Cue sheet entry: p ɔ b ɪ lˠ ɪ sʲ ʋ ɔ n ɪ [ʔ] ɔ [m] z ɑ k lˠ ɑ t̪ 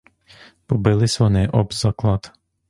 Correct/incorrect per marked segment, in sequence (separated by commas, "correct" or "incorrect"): correct, incorrect